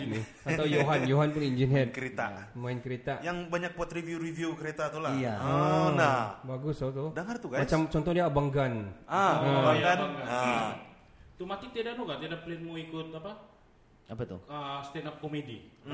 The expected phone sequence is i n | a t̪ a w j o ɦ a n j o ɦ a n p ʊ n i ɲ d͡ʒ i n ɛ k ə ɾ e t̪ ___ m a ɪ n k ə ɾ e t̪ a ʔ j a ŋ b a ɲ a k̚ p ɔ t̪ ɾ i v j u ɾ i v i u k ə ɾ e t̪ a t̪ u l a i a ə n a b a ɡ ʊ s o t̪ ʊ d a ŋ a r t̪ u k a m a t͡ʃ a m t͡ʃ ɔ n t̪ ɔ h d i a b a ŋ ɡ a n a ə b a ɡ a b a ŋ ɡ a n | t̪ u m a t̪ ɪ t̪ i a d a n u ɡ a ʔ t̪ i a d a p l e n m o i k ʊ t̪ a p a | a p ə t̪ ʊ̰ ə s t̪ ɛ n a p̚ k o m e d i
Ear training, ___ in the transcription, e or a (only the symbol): a